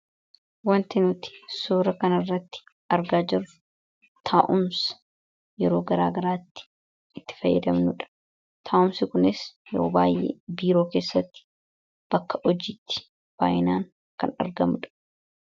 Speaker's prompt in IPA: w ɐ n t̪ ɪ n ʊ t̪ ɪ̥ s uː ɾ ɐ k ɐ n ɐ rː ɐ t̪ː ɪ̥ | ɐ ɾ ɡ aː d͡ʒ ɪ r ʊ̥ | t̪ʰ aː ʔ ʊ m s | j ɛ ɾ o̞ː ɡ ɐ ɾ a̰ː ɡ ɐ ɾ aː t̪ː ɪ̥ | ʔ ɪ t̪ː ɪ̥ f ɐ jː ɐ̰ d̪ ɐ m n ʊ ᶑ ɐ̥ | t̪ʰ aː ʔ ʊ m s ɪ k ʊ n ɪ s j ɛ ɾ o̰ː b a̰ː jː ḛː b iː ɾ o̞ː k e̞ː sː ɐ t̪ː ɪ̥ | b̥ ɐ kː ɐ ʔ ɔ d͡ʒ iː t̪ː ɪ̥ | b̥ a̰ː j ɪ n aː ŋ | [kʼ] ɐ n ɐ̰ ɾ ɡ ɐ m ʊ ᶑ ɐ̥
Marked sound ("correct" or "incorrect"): incorrect